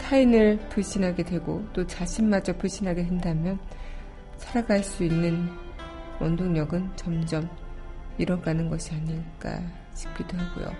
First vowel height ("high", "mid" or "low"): low